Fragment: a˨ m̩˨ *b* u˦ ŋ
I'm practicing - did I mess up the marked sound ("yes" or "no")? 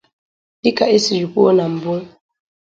no